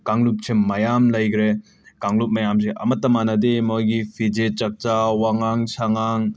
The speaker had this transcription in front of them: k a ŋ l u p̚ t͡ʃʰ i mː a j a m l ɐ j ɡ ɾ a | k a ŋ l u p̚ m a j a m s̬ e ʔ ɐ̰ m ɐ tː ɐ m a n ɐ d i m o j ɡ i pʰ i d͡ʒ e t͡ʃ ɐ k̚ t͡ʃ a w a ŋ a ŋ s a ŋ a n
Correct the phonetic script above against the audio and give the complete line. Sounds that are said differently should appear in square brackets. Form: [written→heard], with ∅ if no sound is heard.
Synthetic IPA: k a ŋ l u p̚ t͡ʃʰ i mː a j a m l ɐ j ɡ ɾ [a→e] | k a ŋ l u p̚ m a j a m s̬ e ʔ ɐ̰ m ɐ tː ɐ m a n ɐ d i m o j ɡ i pʰ i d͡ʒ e t͡ʃ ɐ k̚ t͡ʃ a w a ŋ a ŋ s a ŋ a [n→ŋ]

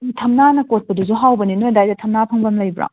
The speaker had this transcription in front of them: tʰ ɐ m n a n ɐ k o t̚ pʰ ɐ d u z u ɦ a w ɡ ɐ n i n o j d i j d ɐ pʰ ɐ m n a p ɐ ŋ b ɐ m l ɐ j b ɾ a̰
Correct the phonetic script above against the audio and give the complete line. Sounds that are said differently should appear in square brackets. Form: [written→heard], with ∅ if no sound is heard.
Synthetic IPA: tʰ ɐ m n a n ɐ k o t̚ [pʰ→p] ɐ d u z u ɦ a w [ɡ→b] ɐ n i n o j d [i→a] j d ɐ [pʰ→tʰ] ɐ m n a [p→pʰ] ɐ ŋ b ɐ m l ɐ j b ɾ a̰

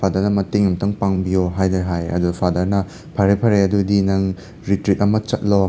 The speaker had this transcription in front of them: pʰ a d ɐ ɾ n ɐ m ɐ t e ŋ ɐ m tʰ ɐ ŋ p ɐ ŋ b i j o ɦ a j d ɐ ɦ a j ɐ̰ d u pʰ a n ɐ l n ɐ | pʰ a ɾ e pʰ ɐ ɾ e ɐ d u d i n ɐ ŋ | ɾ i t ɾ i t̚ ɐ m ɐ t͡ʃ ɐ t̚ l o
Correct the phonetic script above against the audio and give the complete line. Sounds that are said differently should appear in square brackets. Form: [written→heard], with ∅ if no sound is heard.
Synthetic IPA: pʰ a d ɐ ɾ n ɐ m ɐ t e ŋ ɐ m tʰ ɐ ŋ p [ɐ→a] ŋ b i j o ɦ a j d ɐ ɦ a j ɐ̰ d u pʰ a [n→d] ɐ [l→ɾ] n ɐ | pʰ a ɾ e pʰ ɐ ɾ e ɐ d u d i n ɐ ŋ | ɾ i t ɾ i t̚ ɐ m ɐ t͡ʃ ɐ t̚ l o

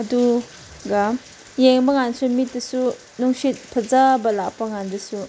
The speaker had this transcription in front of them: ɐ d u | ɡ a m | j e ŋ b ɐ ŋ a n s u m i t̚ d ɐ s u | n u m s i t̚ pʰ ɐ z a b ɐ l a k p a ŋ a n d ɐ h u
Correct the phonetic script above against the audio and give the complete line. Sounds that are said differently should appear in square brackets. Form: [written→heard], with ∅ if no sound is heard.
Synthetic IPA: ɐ d u | ɡ a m | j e ŋ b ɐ ŋ a n s u m i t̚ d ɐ s u | n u [m→ŋ] s i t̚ pʰ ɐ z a b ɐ l a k p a ŋ a n d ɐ [h→s] u

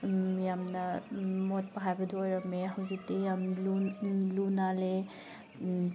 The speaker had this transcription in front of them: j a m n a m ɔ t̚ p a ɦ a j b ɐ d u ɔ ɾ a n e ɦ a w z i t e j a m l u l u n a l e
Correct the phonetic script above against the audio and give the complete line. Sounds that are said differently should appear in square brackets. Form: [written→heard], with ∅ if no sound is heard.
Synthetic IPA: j a m n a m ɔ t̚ p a ɦ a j b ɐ d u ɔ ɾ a [n→m] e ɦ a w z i t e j a m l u l u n a l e

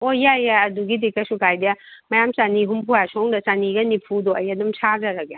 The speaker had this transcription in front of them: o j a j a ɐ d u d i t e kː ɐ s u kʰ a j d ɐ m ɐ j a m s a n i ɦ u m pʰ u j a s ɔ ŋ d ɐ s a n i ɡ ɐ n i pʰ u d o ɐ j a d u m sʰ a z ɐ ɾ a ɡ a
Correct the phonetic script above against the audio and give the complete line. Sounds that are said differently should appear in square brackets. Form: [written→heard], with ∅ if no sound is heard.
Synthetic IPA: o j a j a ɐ d u [d→ɡ] i [t→d] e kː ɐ s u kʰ a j d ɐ m ɐ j a m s a n i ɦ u m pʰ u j a s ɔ ŋ d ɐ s a n i ɡ ɐ n i pʰ u d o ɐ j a d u m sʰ a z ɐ ɾ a ɡ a

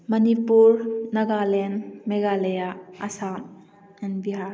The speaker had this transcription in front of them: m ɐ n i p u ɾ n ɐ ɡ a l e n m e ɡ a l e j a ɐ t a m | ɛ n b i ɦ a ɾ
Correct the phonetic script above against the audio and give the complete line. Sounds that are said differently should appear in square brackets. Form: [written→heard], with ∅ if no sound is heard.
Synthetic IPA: m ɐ n i p u ɾ n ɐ ɡ a l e n m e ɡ a l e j a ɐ [t→s] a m | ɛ n b i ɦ a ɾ

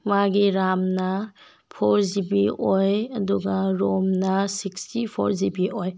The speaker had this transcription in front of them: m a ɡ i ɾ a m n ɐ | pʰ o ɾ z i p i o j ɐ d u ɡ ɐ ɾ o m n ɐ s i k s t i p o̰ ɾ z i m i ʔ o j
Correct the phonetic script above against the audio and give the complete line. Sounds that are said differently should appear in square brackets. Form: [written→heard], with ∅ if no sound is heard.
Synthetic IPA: m a ɡ i ɾ a m n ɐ | pʰ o ɾ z i [p→b] i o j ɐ d u ɡ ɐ ɾ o m n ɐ s i k s t i [p→pʰ] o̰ ɾ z i [m→b] i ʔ o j

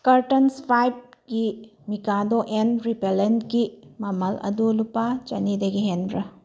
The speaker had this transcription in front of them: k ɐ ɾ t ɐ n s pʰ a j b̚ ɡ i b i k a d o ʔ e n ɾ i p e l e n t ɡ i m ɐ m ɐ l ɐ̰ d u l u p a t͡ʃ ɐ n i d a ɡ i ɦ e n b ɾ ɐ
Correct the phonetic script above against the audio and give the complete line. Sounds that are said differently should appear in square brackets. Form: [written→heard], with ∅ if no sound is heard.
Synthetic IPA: k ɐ ɾ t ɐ n s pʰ a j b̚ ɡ i [b→m] i k a d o ʔ e n ɾ i p e l e n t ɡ i m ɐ m ɐ l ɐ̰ d u l u p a t͡ʃ ɐ n i d [a→ɐ] ɡ i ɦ e n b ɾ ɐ

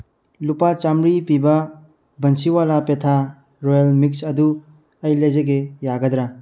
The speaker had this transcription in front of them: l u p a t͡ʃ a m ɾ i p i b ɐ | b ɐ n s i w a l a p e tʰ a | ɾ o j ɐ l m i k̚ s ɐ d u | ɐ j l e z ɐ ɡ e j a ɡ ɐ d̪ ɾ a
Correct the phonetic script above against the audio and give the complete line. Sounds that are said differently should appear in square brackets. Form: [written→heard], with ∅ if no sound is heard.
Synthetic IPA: l u p a t͡ʃ a m ɾ i p i b ɐ | b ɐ n s i w a l a p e tʰ a | ɾ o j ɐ l m i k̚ s ɐ d u | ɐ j l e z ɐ ɡ e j a ɡ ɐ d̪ ɾ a

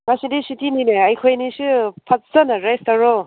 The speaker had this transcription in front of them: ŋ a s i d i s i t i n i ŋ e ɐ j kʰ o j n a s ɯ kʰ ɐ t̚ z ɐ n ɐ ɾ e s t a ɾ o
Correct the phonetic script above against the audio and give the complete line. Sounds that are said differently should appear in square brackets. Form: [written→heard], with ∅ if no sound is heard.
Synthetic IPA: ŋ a s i d i s i t i n i [ŋ→n] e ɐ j kʰ o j n [a→i] s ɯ [kʰ→pʰ] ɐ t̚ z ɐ n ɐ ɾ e s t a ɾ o

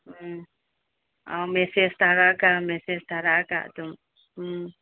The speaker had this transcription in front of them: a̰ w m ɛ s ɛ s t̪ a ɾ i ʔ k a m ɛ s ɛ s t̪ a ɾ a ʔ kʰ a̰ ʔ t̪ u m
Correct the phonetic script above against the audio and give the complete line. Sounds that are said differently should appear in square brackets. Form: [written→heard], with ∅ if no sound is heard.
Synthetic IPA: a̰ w m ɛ s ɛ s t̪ a ɾ [i→a] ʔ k a m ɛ s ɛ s t̪ a ɾ a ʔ [kʰ→k] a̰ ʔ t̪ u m

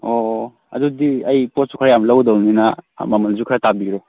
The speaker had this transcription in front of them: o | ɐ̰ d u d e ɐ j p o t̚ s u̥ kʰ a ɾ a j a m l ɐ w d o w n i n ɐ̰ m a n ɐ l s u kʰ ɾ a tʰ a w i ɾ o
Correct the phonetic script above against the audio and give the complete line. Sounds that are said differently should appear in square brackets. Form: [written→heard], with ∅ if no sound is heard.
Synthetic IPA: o | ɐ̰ d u d [e→i] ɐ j p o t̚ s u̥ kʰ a ɾ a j a m l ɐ w d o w n i n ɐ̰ m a [n→m] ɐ l [s→z] u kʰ ɾ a [tʰ→t] a [w→b] i ɾ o

